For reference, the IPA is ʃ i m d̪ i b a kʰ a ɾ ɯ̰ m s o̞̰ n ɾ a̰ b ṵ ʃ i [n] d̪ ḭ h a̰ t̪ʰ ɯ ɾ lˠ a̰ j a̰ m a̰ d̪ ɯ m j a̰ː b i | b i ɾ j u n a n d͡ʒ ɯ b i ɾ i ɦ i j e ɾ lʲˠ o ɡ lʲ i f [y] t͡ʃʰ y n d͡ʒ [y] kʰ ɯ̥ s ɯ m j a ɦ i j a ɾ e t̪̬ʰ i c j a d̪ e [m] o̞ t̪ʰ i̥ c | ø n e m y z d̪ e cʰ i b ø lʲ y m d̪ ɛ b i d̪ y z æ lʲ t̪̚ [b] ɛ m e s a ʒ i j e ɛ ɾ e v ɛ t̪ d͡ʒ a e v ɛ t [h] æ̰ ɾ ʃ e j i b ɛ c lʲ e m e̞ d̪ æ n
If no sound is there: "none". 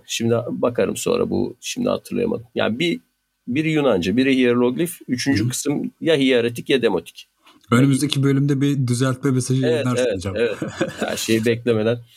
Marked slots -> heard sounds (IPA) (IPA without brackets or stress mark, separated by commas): m, y, y, m, m, h